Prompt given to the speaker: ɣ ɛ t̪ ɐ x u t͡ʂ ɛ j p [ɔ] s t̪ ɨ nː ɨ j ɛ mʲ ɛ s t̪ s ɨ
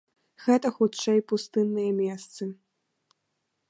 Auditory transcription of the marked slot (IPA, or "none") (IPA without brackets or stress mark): u